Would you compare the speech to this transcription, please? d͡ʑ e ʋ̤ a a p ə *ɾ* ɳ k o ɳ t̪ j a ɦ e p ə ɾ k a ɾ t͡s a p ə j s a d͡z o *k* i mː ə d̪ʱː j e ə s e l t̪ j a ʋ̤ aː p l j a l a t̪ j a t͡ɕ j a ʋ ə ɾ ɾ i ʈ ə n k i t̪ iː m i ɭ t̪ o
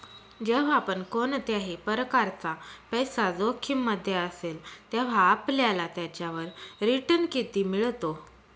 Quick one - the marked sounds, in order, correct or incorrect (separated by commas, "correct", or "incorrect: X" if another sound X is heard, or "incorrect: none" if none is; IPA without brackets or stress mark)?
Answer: incorrect: none, incorrect: kʰ